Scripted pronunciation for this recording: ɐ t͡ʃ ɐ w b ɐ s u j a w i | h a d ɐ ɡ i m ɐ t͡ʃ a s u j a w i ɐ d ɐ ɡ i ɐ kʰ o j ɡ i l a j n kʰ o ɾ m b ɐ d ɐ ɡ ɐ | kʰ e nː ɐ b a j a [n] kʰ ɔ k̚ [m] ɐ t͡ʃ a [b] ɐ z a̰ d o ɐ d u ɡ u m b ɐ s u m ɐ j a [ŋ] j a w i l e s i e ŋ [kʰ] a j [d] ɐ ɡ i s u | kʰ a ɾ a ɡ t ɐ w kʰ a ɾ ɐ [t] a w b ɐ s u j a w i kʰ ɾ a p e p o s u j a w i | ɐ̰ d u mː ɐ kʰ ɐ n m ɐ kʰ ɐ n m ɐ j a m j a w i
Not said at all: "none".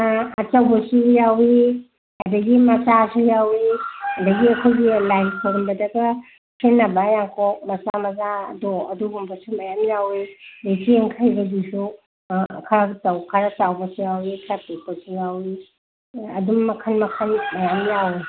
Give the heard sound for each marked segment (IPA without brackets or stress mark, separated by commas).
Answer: ŋ, m, m, m, kʰ, b, t͡ʃ